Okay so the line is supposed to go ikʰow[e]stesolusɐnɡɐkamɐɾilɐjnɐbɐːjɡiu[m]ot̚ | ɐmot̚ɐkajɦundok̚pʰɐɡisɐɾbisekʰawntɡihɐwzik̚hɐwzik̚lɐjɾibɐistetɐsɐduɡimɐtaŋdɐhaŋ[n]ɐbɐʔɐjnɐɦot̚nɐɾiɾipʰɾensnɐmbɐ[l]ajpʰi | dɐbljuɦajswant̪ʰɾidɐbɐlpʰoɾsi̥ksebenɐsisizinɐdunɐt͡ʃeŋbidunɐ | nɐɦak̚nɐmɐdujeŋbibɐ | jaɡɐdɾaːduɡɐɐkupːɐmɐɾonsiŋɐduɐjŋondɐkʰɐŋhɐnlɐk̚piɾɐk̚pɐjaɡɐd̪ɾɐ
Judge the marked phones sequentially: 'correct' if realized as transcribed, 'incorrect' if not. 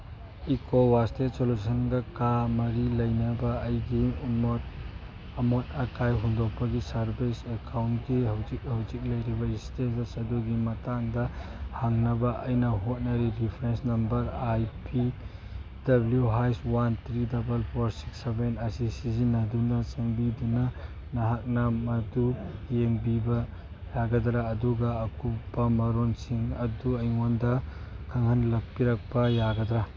incorrect: a, correct, correct, incorrect: ɾ

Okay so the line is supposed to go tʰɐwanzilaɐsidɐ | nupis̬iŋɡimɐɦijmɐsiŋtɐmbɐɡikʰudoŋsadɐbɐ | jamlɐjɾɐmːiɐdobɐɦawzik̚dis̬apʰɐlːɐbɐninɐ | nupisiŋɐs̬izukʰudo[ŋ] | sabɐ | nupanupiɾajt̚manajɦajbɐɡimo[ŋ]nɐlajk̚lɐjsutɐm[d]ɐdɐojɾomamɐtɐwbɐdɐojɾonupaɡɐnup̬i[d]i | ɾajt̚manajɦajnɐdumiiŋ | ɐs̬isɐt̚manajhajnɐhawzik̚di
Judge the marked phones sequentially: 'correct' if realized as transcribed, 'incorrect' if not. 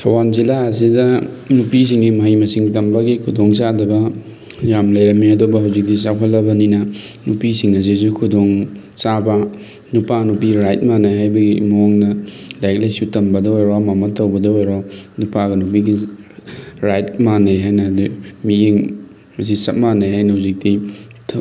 correct, correct, incorrect: b, incorrect: ɡ

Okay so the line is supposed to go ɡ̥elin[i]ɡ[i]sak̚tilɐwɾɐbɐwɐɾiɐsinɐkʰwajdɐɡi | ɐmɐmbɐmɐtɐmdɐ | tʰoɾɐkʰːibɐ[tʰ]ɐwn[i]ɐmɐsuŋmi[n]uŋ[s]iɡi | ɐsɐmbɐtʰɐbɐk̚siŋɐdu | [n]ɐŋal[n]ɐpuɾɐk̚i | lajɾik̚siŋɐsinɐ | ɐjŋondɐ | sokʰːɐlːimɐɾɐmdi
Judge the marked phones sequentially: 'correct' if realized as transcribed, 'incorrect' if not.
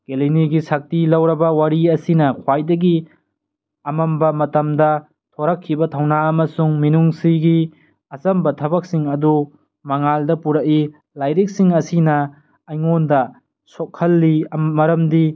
correct, correct, correct, incorrect: a, correct, correct, incorrect: m, incorrect: d

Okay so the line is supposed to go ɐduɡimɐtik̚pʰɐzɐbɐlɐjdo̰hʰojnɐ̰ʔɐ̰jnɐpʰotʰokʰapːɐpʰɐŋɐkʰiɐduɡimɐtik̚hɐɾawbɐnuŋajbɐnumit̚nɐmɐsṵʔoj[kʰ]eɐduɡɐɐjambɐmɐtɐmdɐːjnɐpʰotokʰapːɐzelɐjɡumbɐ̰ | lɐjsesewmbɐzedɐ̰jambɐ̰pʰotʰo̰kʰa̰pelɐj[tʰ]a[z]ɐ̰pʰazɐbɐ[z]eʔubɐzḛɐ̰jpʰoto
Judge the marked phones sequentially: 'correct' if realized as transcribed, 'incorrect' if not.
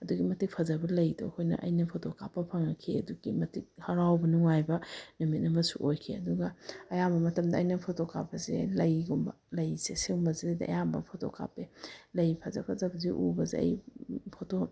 correct, incorrect: pʰ, correct, correct

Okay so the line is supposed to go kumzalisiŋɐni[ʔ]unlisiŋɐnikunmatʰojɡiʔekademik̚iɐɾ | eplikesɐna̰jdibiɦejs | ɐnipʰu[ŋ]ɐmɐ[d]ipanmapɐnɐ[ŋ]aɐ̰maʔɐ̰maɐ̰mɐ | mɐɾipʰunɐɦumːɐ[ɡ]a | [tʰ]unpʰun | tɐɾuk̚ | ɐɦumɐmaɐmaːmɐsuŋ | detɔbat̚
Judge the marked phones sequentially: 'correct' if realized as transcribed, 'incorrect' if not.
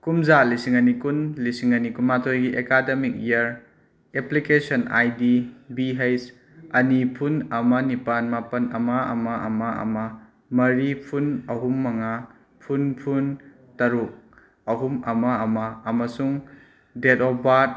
incorrect: k, incorrect: n, incorrect: n, incorrect: m, incorrect: ŋ, incorrect: pʰ

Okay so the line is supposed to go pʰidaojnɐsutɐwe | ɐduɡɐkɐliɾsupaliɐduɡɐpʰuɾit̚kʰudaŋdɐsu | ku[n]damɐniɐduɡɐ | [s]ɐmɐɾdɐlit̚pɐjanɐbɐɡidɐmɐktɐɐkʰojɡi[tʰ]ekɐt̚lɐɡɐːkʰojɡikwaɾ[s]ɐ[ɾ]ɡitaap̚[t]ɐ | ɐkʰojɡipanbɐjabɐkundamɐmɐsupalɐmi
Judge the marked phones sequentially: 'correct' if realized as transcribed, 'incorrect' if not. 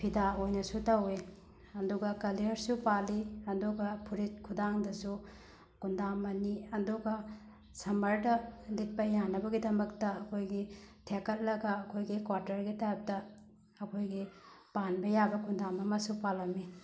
correct, correct, correct, incorrect: t, correct, correct

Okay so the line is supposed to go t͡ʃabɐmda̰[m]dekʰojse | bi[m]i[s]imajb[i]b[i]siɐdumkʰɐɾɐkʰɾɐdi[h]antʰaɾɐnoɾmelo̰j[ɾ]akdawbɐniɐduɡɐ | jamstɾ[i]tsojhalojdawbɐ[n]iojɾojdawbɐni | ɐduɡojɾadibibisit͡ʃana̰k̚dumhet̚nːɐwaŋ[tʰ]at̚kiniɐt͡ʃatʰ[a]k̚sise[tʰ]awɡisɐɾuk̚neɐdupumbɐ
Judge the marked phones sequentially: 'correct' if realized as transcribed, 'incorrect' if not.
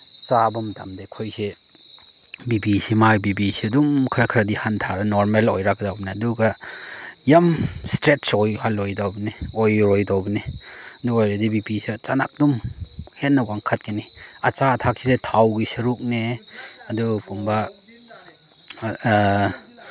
correct, incorrect: b, correct, correct, correct, correct, correct, incorrect: e, correct, incorrect: kʰ, correct, correct

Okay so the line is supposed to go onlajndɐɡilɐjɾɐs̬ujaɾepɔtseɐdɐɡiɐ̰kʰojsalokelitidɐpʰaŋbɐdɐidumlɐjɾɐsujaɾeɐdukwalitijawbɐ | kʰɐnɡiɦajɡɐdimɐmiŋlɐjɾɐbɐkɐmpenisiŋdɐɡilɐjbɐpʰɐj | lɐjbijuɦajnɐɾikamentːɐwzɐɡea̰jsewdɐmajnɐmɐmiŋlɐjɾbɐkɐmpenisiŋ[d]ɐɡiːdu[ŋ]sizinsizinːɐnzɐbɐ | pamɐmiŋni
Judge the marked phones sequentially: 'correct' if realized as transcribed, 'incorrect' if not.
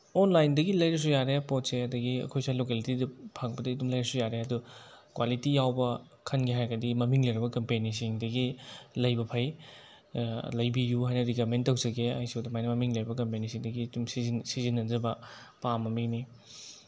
correct, incorrect: m

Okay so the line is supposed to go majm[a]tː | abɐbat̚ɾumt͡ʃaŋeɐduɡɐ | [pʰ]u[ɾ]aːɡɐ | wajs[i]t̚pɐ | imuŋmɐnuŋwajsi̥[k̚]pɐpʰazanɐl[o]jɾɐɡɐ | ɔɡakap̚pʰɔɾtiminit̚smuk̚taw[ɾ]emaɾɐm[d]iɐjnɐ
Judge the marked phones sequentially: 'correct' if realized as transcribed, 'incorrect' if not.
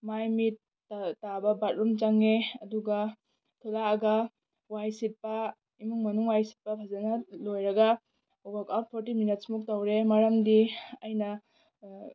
incorrect: i, incorrect: tʰ, incorrect: l, correct, incorrect: t̚, correct, correct, correct

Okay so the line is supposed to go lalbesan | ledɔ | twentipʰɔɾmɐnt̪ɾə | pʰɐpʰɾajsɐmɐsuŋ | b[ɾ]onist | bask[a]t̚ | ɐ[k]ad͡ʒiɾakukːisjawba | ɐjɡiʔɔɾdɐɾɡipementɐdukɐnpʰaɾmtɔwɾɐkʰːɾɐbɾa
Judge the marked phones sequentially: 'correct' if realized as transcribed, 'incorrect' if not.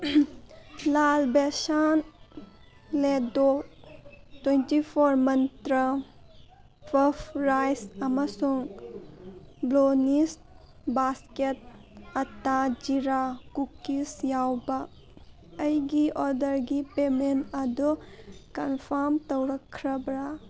incorrect: l, incorrect: e, incorrect: t

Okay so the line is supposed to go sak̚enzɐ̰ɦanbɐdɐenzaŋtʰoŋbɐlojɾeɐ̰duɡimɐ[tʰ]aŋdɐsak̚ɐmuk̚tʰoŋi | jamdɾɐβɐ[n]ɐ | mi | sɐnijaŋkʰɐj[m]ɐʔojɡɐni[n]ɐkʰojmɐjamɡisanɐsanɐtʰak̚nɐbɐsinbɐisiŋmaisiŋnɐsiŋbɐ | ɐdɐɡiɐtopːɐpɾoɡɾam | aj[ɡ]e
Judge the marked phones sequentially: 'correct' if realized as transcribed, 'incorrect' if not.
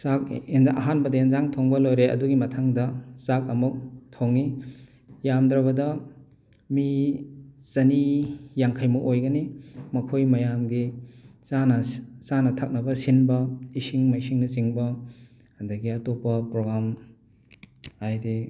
correct, incorrect: d, correct, incorrect: m, incorrect: d

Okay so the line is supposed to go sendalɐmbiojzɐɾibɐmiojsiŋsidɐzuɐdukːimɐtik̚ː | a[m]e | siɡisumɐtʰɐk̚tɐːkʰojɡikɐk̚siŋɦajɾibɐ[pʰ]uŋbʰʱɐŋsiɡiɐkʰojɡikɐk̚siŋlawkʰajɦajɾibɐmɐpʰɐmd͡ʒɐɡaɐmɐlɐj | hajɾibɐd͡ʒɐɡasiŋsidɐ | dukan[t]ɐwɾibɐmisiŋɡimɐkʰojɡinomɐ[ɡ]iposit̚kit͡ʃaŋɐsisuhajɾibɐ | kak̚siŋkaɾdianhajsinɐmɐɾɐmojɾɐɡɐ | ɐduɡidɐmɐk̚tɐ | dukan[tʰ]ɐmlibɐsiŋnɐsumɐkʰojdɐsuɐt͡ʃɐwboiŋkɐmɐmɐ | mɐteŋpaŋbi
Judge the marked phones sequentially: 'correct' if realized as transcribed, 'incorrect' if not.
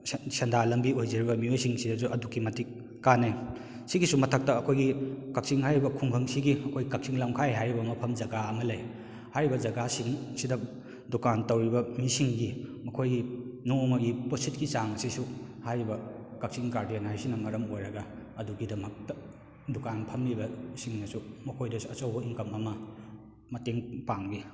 incorrect: n, incorrect: kʰ, correct, correct, incorrect: pʰ

